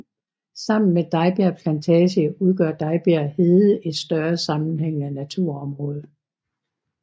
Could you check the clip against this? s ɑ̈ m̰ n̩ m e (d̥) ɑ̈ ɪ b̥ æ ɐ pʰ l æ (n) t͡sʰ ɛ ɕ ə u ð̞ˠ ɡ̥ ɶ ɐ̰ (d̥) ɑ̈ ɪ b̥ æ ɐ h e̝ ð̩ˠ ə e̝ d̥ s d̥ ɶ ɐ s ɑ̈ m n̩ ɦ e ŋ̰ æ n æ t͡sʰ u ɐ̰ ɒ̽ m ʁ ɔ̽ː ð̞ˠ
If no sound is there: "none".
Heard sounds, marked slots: d̥, n, d̥

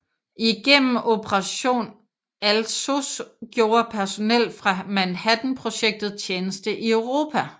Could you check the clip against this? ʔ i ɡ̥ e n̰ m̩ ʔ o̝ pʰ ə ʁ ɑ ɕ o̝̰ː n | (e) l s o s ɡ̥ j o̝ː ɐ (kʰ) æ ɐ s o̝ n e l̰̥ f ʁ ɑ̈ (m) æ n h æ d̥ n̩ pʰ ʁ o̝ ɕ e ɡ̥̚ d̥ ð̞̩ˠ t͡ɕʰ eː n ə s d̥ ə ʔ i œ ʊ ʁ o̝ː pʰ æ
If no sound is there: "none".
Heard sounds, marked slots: æ, pʰ, m

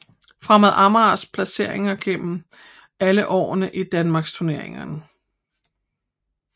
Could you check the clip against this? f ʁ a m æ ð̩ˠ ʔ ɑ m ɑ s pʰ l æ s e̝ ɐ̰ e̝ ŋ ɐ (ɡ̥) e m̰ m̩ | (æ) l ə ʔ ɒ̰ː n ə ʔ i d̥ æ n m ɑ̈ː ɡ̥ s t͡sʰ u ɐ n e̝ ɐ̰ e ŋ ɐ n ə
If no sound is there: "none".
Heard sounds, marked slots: ɡ̥, æ

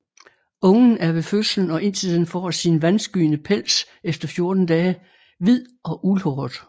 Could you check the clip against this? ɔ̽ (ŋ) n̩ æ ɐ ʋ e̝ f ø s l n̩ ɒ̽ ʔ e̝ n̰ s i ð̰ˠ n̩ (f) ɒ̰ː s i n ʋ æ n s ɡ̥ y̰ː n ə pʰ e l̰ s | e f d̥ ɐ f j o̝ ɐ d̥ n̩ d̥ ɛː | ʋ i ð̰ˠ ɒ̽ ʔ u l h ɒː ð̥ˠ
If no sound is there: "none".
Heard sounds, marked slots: ŋ, f

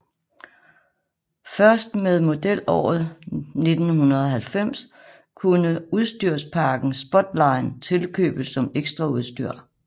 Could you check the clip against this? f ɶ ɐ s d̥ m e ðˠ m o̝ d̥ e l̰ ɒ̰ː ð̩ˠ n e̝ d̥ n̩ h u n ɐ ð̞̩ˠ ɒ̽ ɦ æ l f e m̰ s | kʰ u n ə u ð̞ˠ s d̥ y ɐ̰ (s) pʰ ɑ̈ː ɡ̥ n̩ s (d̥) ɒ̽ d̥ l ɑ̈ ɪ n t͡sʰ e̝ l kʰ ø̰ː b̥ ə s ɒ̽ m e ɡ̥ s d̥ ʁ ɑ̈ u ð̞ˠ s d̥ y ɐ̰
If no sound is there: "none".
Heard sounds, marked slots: s, b̥

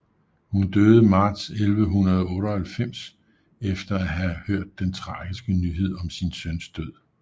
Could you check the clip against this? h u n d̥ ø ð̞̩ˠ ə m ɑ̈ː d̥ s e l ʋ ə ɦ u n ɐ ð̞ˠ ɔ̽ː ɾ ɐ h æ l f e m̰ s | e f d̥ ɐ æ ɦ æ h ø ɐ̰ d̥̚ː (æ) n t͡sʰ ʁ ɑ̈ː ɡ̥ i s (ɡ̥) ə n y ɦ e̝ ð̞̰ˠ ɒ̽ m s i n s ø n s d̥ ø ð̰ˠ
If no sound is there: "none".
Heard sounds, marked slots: e, ɡ̥

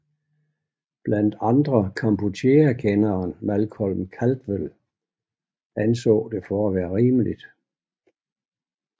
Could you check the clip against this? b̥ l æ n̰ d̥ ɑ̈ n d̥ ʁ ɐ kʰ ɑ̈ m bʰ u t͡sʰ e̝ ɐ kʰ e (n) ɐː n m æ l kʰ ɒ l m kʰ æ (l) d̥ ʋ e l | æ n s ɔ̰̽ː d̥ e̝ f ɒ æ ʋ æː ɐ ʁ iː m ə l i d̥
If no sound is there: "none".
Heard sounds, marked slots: n, l

